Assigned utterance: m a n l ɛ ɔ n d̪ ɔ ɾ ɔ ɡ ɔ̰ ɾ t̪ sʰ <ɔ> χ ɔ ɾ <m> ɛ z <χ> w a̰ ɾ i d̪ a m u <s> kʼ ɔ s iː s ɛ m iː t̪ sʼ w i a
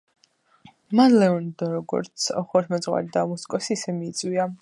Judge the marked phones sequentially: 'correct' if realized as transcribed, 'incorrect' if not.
correct, correct, incorrect: ʁ, correct

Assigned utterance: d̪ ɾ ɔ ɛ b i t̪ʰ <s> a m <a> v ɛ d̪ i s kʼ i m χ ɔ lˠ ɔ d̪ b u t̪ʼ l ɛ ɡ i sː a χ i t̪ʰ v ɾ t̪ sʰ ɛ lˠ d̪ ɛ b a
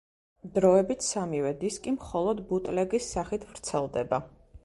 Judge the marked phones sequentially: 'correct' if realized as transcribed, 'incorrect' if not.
correct, incorrect: i

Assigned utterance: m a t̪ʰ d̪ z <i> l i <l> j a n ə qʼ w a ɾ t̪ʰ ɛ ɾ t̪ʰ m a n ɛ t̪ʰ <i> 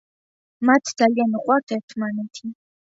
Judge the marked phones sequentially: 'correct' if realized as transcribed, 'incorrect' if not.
incorrect: a, incorrect: none, correct

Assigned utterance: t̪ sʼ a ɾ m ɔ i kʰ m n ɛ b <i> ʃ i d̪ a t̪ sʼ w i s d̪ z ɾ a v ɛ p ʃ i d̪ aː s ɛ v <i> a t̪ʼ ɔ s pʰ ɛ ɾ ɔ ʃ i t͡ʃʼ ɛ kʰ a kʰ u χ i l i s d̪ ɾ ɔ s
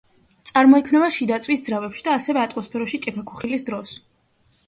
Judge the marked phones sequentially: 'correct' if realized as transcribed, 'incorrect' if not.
incorrect: a, incorrect: ɛ

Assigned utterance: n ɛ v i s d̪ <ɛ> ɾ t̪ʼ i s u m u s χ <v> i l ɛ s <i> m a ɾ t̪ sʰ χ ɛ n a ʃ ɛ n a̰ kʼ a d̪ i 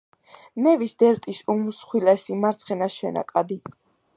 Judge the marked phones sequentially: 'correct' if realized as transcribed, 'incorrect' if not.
correct, incorrect: w, correct

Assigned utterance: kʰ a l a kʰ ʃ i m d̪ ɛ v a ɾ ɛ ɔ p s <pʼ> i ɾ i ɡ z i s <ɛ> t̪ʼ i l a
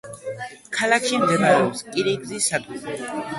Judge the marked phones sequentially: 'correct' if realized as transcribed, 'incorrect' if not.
incorrect: kʼ, incorrect: a

